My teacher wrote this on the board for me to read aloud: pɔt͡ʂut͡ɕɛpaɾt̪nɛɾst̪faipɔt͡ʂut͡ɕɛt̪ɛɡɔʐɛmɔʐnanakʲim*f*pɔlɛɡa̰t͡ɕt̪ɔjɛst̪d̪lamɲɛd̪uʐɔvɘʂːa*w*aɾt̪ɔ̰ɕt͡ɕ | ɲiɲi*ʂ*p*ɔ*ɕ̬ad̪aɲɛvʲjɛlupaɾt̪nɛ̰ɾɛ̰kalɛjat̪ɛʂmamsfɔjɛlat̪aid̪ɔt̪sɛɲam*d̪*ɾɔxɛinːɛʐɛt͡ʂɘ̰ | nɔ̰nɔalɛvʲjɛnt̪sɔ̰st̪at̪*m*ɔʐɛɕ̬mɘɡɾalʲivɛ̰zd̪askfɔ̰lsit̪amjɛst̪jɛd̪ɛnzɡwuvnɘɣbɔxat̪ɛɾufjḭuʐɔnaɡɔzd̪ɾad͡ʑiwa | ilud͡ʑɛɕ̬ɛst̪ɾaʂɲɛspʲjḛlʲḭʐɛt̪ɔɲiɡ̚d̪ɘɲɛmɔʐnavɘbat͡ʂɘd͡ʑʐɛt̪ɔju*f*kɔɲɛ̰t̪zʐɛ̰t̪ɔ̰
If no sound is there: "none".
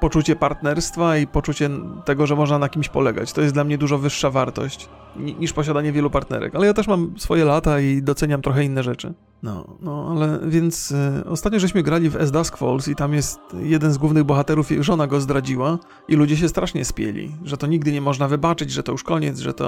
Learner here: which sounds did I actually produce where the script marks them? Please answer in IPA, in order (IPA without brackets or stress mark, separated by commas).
ɕ, v, ʂ, ɔ, t̪, ɲ, ʂ